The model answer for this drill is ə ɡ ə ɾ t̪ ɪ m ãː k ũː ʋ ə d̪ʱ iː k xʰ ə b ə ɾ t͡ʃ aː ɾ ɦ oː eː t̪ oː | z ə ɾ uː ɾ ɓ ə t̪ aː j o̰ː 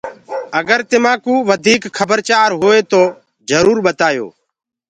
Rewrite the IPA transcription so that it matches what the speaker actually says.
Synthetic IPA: ə ɡ ə ɾ t̪ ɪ m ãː k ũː ʋ ə d̪ʱ iː k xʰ ə b ə ɾ t͡ʃ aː ɾ ɦ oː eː t̪ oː | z ə ɾ uː ɾ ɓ ə t̪ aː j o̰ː

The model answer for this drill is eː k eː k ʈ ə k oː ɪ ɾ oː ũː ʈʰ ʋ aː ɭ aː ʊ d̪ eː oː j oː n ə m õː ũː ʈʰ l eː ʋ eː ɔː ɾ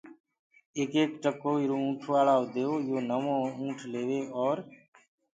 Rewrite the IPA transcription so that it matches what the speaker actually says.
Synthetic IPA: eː k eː k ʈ ə k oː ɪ ɾ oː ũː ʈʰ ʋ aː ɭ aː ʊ d̪ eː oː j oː n ə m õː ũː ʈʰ l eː ʋ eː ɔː ɾ

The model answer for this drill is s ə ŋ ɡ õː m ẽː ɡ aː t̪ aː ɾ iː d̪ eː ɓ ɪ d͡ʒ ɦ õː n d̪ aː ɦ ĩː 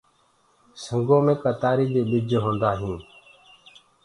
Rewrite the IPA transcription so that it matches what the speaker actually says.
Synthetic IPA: s ə ŋ ɡ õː m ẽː k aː t̪ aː ɾ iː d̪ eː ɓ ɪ d͡ʒ ɦ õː n d̪ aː ɦ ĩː

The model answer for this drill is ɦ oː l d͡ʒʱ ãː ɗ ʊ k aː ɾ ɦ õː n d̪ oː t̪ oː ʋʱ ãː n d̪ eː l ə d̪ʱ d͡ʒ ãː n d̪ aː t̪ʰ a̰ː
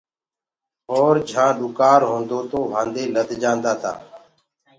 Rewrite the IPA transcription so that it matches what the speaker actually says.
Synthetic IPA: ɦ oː ɾ d͡ʒʱ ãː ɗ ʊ k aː ɾ ɦ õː n d̪ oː t̪ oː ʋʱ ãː n d̪ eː l ə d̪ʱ d͡ʒ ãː n d̪ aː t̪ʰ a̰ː

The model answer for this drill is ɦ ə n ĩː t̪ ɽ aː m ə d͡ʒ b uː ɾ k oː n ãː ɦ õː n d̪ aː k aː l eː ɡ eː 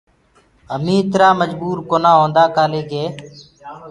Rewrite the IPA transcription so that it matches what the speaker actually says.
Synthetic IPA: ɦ ə m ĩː t̪ ɾ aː m ə d͡ʒ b uː ɾ k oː n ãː ɦ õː n d̪ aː k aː l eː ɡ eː

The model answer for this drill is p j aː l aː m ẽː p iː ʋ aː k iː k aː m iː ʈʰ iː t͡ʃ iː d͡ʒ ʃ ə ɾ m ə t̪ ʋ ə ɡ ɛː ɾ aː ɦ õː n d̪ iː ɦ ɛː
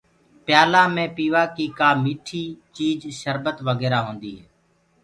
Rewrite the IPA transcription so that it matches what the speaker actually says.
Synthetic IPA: p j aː l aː m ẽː p iː ʋ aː k iː k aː m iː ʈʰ iː t͡ʃ iː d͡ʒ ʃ ə ɾ b ə t̪ ʋ ə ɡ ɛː ɾ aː ɦ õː n d̪ iː ɦ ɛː

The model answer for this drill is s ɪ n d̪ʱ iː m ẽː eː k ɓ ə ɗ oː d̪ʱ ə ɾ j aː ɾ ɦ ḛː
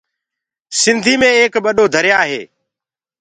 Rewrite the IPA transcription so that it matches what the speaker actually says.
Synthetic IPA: s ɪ n d̪ʱ iː m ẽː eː k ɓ ə ɗ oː d̪ʱ ə ɾ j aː ɦ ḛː

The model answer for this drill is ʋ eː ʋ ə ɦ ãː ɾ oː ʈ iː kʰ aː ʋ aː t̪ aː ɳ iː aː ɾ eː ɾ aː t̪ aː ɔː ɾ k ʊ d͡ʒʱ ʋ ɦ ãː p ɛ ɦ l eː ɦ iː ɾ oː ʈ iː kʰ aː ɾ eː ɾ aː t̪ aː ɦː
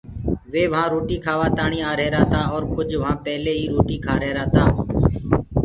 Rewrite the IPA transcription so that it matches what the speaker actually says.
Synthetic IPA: ʋ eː ʋ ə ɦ ãː ɾ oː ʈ iː kʰ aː ʋ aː t̪ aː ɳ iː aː ɾ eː ɾ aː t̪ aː ɔː ɾ k ʊ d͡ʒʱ ʋ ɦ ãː p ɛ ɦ l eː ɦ iː ɾ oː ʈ iː kʰ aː ɾ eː ɾ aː t̪ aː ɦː

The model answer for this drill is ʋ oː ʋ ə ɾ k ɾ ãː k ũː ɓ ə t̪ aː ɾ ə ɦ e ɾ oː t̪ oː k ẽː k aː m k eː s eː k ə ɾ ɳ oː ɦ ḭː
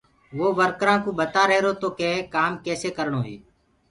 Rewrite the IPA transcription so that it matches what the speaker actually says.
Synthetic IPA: ʋ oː ʋ ə ɾ k ɾ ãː k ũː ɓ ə t̪ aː ɾ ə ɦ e ɾ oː t̪ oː k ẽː k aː m k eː s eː k ə ɾ ɳ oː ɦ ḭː

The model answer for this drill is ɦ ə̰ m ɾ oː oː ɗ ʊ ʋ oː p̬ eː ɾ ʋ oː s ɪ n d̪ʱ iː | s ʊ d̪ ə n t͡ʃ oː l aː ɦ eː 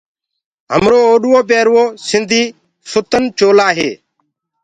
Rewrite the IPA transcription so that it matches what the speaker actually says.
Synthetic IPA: ɦ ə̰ m ɾ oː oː ɗ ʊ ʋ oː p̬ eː ɾ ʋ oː s ɪ n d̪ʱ iː | s ʊ t̪ ə n t͡ʃ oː l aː ɦ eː

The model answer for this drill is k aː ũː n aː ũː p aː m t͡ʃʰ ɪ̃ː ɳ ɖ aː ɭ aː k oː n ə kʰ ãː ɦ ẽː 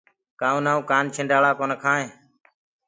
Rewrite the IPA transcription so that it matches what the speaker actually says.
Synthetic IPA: k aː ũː n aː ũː k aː n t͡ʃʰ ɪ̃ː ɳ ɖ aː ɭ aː k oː n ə kʰ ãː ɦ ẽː

